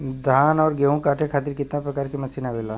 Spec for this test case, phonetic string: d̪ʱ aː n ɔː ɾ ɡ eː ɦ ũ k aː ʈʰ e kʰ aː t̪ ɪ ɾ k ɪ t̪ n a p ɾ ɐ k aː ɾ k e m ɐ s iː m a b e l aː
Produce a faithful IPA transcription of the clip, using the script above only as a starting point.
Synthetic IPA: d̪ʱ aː n ɔː ɾ ɡ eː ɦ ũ k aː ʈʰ e kʰ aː t̪ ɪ ɾ k ɪ t̪ n a p ɾ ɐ k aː ɾ k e m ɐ s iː n a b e l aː

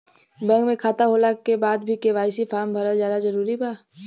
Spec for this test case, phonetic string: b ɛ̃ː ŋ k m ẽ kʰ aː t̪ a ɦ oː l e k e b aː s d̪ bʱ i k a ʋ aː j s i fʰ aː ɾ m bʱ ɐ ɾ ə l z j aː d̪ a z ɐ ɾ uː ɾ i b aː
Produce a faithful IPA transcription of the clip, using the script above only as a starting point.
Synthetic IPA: b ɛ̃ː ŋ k m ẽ kʰ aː t̪ a ɦ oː l a k e b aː d̪ bʱ i k e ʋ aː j s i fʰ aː ɾ m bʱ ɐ ɾ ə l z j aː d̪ a z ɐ ɾ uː ɾ i b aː

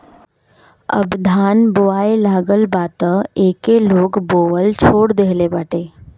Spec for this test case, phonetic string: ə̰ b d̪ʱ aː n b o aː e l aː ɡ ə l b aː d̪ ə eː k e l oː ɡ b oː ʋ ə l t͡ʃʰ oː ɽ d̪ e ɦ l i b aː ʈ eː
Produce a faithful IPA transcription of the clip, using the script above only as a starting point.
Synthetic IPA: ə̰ b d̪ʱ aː n b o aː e l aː ɡ ə l b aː t̪ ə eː k e l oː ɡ b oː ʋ ə l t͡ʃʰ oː ɽ d̪ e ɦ l e b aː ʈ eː

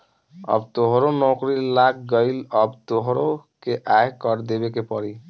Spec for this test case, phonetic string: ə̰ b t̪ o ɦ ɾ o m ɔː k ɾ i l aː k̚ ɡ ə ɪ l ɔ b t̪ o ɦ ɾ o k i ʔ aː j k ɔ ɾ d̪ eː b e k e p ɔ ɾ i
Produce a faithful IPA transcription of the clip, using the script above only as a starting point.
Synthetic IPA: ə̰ b t̪ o ɦ ɾ o n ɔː k ɾ i l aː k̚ ɡ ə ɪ l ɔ b t̪ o ɦ ɾ o k e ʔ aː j k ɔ ɾ d̪ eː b e k e p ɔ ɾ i

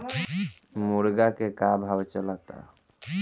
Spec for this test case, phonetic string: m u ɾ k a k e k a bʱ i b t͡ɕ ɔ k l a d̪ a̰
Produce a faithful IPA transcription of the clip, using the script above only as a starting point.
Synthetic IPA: m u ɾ ɡ a k e k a bʱ a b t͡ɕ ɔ l a t̪ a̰

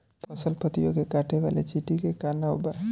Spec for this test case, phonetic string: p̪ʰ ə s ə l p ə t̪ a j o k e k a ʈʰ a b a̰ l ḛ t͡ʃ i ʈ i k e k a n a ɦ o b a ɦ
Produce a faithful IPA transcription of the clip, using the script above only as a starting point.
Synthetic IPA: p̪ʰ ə s ə l p ə t̪ i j o k e k a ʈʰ e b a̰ l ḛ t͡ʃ i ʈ i k e k a n a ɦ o b a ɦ

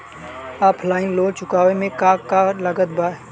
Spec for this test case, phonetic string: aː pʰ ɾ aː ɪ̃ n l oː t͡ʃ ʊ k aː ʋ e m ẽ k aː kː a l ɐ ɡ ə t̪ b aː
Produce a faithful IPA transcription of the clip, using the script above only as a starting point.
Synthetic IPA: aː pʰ l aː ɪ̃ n l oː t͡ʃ ʊ k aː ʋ e m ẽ k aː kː a l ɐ ɡ ə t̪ b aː

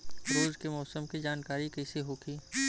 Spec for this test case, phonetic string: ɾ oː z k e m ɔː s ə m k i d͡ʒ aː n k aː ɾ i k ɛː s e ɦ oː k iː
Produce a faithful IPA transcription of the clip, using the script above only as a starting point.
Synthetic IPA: ɾ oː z k e m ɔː s ə m k i d͡ʒ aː n k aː ɾ i k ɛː s e ɦ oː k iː

